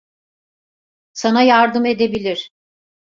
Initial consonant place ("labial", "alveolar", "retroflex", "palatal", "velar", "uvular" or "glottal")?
alveolar